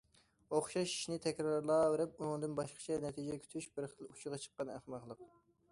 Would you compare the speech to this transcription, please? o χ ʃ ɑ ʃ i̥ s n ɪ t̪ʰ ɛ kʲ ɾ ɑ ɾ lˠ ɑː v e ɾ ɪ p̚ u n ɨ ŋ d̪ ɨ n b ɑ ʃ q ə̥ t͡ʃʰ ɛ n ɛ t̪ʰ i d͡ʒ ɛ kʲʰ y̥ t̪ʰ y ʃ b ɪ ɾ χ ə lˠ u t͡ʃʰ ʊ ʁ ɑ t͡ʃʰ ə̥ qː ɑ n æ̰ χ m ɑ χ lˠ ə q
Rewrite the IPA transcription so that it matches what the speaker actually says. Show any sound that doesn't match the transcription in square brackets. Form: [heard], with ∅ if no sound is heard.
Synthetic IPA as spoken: o χ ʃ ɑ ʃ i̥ [ʃ] n ɪ t̪ʰ ɛ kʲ ɾ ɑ ɾ lˠ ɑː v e ɾ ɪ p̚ u n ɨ ŋ d̪ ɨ n b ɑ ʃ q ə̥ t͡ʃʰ ɛ n ɛ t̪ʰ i d͡ʒ ɛ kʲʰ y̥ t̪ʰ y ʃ b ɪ ɾ χ ə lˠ u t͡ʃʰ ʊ ʁ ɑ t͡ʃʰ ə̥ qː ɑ n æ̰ χ m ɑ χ lˠ ə q